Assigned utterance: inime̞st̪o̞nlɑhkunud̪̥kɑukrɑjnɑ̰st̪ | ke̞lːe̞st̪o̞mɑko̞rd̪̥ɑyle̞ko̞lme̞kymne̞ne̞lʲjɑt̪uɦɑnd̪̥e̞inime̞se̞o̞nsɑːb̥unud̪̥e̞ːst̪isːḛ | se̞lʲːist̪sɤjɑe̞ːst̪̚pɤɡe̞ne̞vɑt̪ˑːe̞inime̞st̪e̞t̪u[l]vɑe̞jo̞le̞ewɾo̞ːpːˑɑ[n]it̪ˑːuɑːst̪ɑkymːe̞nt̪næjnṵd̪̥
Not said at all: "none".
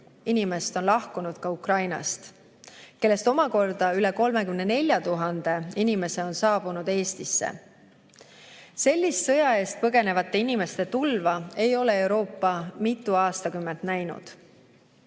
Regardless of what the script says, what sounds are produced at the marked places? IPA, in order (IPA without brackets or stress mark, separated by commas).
l, m